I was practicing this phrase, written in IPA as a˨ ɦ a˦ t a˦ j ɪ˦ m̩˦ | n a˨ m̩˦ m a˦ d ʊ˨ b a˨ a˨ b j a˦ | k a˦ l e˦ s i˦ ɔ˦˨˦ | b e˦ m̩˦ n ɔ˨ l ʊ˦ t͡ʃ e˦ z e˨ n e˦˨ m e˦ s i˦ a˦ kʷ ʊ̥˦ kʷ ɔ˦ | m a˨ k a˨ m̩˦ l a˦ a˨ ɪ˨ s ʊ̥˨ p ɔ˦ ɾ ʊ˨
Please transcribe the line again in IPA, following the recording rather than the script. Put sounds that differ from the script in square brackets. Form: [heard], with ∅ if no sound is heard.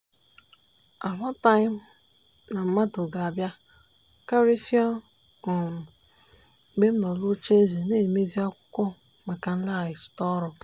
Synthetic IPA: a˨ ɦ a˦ t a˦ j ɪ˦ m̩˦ | n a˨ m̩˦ m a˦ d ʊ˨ [ɡ] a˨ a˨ b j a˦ | k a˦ [ɾ] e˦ s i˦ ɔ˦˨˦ | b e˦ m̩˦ n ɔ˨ l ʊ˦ t͡ʃ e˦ z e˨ n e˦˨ m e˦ [z] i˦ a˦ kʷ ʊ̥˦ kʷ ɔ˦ | m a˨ k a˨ [n̩˦] l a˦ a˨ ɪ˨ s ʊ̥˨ [t] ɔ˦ ɾ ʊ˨